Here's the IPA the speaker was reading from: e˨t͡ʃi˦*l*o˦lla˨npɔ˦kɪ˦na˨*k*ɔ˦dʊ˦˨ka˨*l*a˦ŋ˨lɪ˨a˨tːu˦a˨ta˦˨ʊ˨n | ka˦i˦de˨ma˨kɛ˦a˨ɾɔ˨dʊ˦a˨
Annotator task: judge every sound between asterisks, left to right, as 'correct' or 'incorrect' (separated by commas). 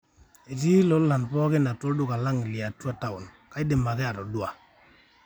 correct, incorrect, correct